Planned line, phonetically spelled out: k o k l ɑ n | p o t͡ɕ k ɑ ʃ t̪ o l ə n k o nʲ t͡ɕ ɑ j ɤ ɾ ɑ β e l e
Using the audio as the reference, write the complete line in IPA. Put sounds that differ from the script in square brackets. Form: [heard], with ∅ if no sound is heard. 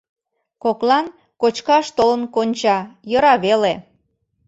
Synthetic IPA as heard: k o k l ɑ n | [k] o t͡ɕ k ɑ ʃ t̪ o l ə n k o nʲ t͡ɕ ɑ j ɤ ɾ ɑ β e l e

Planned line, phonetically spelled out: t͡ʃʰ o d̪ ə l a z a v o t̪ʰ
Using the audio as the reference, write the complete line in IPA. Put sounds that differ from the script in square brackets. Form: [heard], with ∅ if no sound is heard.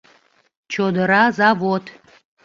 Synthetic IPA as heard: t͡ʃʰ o d̪ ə [ɾ] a z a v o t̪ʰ

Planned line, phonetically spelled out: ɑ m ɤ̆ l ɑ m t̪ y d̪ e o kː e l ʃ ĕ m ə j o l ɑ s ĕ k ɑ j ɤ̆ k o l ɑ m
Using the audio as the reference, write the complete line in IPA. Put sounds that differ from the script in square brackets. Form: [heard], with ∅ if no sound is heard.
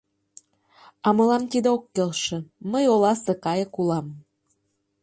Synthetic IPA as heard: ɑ m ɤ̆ l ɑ m t̪ [i] d̪ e o kː e l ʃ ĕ m ə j o l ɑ s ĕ k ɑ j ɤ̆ k [u] l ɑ m

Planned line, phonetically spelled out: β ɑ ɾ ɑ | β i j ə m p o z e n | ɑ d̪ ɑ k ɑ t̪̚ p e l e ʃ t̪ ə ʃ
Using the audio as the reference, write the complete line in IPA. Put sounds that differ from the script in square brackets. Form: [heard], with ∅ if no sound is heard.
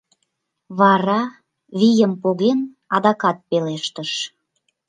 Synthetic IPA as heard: β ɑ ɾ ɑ | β i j ə m p o [ɣ] e n | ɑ d̪ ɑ k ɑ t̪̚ p e l e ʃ t̪ ə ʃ

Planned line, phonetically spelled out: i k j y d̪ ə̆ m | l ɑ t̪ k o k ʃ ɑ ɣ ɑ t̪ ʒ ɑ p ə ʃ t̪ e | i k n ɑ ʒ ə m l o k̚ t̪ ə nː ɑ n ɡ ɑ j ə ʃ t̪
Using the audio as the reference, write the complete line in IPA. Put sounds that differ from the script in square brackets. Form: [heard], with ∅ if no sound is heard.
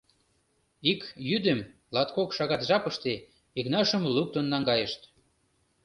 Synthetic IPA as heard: i k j y d̪ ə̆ m | l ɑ t̪ k o k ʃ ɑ ɣ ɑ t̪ ʒ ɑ p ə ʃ t̪ e | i k n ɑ [ʃ] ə m l [u] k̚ t̪ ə nː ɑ [ŋ] ɡ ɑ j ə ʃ t̪

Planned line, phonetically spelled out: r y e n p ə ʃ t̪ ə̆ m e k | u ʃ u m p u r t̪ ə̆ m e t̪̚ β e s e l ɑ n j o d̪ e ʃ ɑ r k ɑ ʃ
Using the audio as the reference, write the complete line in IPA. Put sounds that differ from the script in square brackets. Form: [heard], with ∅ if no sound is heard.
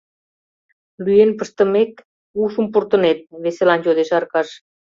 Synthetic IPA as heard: [l] y e n p ə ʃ t̪ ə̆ m e k | u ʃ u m p u r t̪ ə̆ [n] e t̪̚ β e s e l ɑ n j o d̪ e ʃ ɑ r k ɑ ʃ

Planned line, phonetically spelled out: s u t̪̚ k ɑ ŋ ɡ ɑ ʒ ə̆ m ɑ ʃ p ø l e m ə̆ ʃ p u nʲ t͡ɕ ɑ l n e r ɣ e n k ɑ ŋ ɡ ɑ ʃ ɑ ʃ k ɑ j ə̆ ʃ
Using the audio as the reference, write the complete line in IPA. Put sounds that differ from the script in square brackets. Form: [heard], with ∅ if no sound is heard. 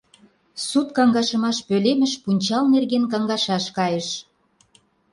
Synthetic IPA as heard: s u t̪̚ k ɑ ŋ ɡ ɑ [ʃ] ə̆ m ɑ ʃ p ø l e m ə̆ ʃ p u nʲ t͡ɕ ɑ l n e r ɣ e n k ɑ ŋ ɡ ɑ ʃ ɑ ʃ k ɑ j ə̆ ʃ

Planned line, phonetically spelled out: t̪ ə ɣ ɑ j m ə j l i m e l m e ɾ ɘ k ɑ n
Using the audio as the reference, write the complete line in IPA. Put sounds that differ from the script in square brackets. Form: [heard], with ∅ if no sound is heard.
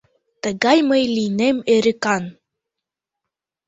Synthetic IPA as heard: t̪ ə ɣ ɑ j m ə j l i [n] e [∅] m e ɾ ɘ k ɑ n

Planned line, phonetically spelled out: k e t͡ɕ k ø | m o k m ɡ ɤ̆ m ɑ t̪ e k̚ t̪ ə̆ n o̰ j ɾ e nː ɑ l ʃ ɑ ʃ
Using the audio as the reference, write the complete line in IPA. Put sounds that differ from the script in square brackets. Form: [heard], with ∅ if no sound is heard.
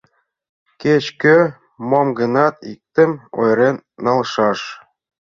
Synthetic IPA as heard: k e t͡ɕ k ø | m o [∅] m ɡ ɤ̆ [n] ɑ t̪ [i] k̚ t̪ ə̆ [m] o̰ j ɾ e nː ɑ l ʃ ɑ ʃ

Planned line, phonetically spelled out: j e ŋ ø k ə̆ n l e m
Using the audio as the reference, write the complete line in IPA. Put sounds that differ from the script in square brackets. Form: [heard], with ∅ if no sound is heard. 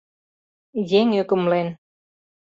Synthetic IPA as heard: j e ŋ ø k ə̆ [m] l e [n]

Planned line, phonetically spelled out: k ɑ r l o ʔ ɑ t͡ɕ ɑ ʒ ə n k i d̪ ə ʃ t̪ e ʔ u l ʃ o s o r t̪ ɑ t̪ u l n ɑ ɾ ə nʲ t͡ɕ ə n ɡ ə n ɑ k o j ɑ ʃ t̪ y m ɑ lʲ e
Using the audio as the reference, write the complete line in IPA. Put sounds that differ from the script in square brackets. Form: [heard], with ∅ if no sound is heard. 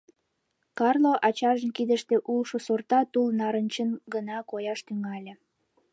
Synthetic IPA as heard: k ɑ r l o ʔ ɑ t͡ɕ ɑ ʒ ə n k i d̪ ə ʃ t̪ e ʔ u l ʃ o s o r t̪ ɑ t̪ u l n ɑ ɾ ə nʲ t͡ɕ ə n ɡ ə n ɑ k o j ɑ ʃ t̪ y [ŋ] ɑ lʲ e

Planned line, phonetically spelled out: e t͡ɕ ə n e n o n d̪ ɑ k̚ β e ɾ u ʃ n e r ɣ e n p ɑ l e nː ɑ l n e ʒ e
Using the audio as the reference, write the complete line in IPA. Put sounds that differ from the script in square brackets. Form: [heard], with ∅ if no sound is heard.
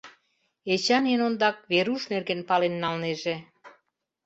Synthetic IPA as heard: e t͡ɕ [ɑ] n e n o n d̪ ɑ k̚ β e ɾ u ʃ n e r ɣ e n p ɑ l e nː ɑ l n e ʒ e

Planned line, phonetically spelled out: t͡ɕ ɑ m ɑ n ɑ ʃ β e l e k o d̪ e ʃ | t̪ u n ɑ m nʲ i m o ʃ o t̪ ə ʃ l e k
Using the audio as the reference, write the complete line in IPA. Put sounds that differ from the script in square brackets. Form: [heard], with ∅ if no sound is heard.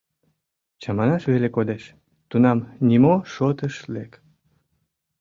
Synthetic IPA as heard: t͡ɕ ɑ m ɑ n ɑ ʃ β e l e k o d̪ e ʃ | t̪ u n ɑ m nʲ i m o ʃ o t̪ ə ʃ l e k

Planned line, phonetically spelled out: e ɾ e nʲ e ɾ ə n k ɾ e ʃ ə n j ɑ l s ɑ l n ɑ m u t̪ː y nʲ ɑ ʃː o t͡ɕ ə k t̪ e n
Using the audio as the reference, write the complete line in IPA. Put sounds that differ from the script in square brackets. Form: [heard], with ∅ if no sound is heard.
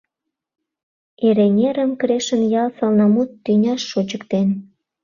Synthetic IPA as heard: e ɾ e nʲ e ɾ ə [m] k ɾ e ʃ ə n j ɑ l s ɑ l n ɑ m u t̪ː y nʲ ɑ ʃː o t͡ɕ ə k t̪ e n

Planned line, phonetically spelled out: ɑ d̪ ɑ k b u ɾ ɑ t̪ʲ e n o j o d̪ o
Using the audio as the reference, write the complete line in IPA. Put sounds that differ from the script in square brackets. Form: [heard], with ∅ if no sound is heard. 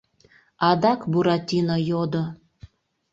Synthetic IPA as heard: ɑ d̪ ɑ k b u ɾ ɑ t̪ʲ [i] n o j o d̪ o

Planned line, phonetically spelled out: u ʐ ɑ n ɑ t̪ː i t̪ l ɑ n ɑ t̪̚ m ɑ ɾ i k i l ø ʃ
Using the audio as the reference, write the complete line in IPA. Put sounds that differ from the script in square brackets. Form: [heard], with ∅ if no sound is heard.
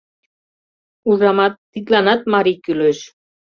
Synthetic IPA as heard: u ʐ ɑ [m] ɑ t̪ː i t̪ l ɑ n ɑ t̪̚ m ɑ ɾ i k [y] l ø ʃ

